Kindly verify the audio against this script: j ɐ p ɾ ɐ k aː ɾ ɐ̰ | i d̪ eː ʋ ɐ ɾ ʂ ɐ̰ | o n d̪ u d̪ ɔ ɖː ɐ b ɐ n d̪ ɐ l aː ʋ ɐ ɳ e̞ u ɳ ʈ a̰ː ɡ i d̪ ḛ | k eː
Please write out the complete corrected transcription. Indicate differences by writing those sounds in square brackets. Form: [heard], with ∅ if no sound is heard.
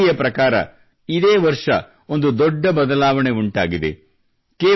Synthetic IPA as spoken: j ɐ p ɾ ɐ k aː ɾ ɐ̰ | i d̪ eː ʋ ɐ ɾ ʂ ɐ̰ | o n d̪ u d̪ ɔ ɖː ɐ b ɐ [∅] d̪ ɐ l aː ʋ ɐ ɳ e̞ u ɳ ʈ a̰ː ɡ i d̪ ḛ | k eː